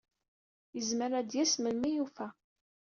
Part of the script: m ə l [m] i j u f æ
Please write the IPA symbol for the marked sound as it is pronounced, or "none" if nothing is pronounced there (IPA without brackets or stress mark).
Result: m